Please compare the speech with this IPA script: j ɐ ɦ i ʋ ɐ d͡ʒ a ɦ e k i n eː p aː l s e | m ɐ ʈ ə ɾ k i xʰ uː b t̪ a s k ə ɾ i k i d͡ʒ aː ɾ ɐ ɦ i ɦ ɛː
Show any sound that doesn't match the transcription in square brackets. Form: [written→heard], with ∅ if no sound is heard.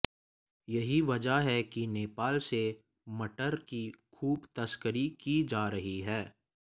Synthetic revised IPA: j ɐ ɦ i ʋ ɐ d͡ʒ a ɦ [e→ɛ] k i n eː p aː l s e | m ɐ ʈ ə ɾ k i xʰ uː b t̪ [a→ɐ] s k ə ɾ i k i d͡ʒ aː ɾ ɐ ɦ i ɦ ɛː

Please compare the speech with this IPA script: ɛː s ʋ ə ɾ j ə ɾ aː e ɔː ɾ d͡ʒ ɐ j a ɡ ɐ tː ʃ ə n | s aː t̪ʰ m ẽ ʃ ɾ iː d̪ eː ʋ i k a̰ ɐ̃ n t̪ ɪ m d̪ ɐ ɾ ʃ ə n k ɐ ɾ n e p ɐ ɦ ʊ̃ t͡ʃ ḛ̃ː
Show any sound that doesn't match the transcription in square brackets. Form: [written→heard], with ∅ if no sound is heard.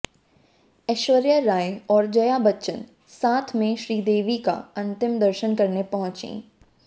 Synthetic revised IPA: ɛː [s→ʃ] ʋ ə ɾ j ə ɾ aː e ɔː ɾ d͡ʒ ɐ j a [ɡ→b] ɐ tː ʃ ə n | s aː t̪ʰ m ẽ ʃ ɾ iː d̪ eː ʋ i k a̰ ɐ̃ n t̪ ɪ m d̪ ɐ ɾ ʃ ə n k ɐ ɾ n e p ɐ ɦ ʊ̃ t͡ʃ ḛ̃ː

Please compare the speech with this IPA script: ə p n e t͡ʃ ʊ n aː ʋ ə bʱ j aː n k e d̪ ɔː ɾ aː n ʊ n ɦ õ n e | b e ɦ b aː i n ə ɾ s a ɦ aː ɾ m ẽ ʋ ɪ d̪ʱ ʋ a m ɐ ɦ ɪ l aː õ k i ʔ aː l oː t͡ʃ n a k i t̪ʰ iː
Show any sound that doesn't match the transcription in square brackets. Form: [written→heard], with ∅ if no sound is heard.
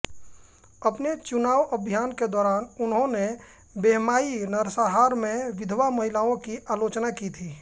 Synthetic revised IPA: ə p n e t͡ʃ ʊ n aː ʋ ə bʱ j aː n k e d̪ ɔː ɾ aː n ʊ n ɦ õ n e | b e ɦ [b→m] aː i n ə ɾ s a ɦ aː ɾ m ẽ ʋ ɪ d̪ʱ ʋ a m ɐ ɦ ɪ l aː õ k i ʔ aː l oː t͡ʃ n a k i t̪ʰ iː

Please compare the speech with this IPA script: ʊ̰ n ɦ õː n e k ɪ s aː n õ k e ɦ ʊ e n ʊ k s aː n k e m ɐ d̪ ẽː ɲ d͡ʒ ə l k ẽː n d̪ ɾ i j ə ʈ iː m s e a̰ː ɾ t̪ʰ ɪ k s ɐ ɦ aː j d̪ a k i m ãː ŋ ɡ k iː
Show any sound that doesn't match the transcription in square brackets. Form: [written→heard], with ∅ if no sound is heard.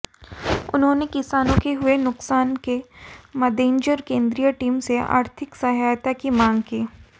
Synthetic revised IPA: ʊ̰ n ɦ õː n e k ɪ s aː n õ k e ɦ ʊ e n ʊ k s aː n k e m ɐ d̪ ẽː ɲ d͡ʒ ə [l→ɾ] k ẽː n d̪ ɾ i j ə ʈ iː m s e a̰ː ɾ t̪ʰ ɪ k s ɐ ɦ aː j [d̪→t̪] a k i m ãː ŋ ɡ k iː

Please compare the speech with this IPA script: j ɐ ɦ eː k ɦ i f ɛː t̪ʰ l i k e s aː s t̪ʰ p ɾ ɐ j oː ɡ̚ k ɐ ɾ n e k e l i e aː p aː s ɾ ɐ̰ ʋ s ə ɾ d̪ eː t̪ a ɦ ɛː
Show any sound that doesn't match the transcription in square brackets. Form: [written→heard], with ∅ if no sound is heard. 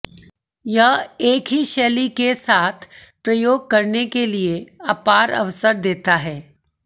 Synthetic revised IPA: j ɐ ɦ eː k ɦ i [f→ʃ] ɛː [t̪ʰ→∅] l i k e s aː [s→∅] t̪ʰ p ɾ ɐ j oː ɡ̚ k ɐ ɾ n e k e l i e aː p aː [s→∅] ɾ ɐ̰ ʋ s ə ɾ d̪ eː t̪ a ɦ ɛː

